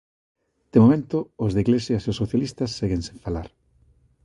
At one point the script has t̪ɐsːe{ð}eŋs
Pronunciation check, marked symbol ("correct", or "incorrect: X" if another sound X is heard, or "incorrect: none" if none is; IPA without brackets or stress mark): incorrect: ɣ